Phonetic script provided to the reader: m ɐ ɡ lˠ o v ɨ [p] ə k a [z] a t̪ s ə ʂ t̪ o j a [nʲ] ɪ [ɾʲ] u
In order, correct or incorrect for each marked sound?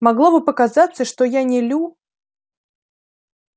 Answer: correct, correct, correct, incorrect: lʲ

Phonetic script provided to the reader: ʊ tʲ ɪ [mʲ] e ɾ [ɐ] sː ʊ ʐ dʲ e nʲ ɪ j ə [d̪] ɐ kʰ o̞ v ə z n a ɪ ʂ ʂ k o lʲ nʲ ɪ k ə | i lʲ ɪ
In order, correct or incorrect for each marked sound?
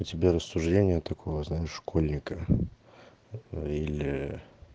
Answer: incorrect: bʲ, incorrect: ə, incorrect: t̪

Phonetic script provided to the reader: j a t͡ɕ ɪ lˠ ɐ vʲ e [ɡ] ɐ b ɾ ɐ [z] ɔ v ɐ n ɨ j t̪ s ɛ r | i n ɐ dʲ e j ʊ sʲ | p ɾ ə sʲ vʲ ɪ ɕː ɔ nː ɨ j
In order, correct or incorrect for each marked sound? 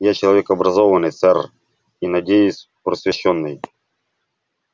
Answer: incorrect: k, correct

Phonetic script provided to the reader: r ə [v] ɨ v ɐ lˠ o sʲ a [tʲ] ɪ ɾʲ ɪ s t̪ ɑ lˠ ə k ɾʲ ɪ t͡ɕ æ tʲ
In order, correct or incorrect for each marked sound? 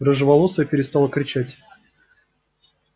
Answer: incorrect: ʐ, incorrect: pʲ

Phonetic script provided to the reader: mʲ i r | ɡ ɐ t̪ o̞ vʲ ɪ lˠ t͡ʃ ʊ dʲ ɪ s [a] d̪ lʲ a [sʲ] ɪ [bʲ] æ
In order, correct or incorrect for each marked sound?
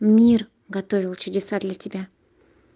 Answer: correct, incorrect: tʲ, correct

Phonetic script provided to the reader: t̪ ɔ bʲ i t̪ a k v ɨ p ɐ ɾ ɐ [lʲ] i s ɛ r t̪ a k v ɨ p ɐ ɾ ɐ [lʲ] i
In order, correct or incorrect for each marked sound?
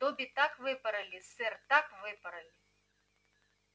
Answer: correct, correct

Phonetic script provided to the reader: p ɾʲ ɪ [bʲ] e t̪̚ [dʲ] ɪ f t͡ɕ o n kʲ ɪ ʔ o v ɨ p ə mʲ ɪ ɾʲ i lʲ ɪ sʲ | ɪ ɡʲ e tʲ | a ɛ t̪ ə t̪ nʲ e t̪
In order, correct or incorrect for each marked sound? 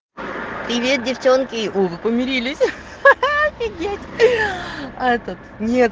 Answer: incorrect: vʲ, correct

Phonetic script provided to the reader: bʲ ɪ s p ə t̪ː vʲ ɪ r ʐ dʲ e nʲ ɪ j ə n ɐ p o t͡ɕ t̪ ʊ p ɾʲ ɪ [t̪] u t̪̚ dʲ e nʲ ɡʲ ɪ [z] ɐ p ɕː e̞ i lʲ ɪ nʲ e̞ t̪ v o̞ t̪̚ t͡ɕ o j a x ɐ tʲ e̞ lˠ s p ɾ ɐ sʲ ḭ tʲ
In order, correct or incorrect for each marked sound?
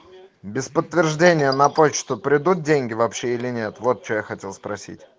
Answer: incorrect: d̪, incorrect: v

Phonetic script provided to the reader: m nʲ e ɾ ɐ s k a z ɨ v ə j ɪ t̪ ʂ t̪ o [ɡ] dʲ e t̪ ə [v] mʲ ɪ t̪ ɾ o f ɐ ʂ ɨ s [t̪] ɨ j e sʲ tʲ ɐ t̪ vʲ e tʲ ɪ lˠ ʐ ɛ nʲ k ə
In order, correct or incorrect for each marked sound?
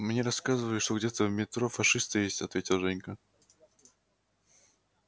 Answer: correct, correct, correct

